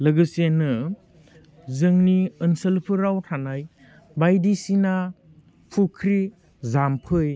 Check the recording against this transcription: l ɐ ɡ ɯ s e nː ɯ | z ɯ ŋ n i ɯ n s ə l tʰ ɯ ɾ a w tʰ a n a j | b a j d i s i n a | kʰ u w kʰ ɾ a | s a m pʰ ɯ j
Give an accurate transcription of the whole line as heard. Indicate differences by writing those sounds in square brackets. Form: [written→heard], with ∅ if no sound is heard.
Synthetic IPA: l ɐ ɡ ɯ s e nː ɯ | z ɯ ŋ n i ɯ n s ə l [tʰ→pʰ] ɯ ɾ a w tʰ a n a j | b a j d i s i n a | [kʰ→pʰ] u [w→∅] kʰ ɾ [a→i] | [s→z] a m pʰ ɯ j